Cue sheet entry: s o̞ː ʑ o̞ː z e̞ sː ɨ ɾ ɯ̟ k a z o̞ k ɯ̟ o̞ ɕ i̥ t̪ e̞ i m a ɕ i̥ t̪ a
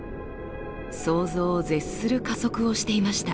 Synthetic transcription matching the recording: s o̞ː z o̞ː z e̞ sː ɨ ɾ ɯ̟ k a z o̞ k ɯ̟ o̞ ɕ i̥ t̪ e̞ i m a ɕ i̥ t̪ a